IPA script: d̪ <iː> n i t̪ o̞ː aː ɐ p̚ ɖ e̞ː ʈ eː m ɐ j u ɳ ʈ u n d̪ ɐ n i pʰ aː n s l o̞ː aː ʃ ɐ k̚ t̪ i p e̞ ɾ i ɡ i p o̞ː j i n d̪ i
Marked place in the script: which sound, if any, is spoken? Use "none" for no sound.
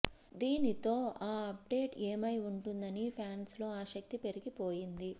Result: iː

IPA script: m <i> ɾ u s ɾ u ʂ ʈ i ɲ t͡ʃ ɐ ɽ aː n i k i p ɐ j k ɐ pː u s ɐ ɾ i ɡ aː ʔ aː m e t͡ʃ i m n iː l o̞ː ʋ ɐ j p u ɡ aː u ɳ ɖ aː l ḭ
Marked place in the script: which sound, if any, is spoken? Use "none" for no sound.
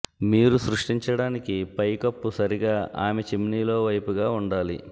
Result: iː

